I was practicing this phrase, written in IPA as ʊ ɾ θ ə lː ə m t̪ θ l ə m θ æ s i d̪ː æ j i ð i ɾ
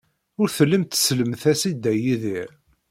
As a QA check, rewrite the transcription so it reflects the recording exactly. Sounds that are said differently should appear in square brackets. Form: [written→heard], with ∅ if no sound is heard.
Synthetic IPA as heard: ʊ ɾ θ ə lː ə m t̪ [θ→s] l ə m θ æ s i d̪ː æ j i ð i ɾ